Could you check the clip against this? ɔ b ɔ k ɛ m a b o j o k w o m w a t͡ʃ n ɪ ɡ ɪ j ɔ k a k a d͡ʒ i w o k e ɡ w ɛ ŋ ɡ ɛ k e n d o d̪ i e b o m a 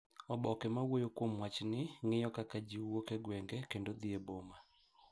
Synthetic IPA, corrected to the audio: ɔ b ɔ k ɛ m a w o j o k w o m w a t͡ʃ n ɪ ŋ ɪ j ɔ k a k a d͡ʒ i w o k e ɡ w ɛ ŋ ɡ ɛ k e n d o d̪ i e b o m a